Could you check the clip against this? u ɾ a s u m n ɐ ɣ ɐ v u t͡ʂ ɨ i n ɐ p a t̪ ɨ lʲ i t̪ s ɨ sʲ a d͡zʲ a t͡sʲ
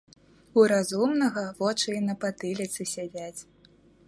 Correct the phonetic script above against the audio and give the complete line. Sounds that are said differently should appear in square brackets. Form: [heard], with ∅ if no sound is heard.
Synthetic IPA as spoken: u ɾ a [z] u m n ɐ ɣ ɐ v [ɔ] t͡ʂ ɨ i n ɐ p a t̪ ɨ lʲ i t̪ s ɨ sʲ a d͡zʲ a t͡sʲ